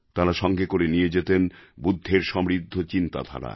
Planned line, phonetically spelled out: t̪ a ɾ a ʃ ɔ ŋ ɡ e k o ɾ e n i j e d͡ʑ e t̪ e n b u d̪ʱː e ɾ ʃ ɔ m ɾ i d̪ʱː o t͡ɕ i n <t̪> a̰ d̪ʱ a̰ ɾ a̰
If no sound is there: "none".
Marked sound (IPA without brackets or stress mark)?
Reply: t̪